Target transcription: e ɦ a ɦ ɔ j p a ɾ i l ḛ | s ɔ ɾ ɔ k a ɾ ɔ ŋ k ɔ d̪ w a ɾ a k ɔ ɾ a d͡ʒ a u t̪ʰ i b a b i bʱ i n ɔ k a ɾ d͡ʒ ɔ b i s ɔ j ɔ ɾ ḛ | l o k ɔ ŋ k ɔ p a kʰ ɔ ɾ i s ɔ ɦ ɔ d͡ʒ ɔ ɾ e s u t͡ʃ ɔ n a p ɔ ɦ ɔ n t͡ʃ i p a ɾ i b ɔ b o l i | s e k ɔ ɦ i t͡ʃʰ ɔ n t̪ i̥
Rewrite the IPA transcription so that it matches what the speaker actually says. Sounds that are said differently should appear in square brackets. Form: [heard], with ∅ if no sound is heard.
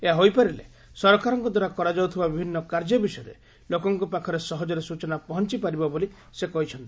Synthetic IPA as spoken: e ɦ a ɦ [o] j p a ɾ i l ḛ | s ɔ ɾ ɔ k a ɾ ɔ ŋ k ɔ d̪ w a ɾ a k ɔ ɾ a d͡ʒ a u t̪ʰ i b a b i bʱ i [nː] ɔ k a ɾ d͡ʒ ɔ b i s ɔ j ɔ ɾ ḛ | l o k ɔ ŋ k ɔ p a kʰ ɔ ɾ [e] s ɔ ɦ ɔ d͡ʒ ɔ ɾ e s u t͡ʃ ɔ n a p ɔ ɦ ɔ n t͡ʃ i p a ɾ i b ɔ b o l i | s e k ɔ ɦ i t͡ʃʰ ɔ n t̪ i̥